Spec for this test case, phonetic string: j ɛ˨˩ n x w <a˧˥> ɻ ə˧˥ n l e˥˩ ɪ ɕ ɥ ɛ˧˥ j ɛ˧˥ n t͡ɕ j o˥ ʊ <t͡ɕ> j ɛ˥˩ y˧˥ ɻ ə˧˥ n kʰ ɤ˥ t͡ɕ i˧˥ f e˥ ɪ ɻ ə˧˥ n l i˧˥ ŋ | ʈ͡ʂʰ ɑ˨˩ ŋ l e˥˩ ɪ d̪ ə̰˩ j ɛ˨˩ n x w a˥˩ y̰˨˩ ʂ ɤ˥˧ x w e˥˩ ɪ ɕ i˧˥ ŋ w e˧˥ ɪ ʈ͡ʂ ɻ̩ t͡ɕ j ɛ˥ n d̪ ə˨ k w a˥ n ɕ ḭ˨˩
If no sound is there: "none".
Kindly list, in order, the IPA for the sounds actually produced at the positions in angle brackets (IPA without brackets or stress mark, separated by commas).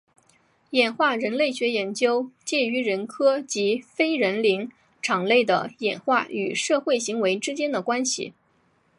a˥˩, t͡ɕ